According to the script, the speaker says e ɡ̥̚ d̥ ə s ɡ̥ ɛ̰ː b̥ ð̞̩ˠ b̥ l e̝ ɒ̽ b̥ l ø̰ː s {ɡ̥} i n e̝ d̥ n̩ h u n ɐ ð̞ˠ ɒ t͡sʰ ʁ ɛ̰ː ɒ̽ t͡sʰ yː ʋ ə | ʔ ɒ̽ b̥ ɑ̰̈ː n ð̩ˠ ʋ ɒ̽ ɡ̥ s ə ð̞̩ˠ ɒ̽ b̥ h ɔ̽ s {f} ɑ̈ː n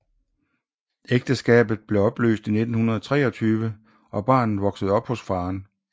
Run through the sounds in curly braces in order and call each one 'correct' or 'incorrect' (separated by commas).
incorrect, correct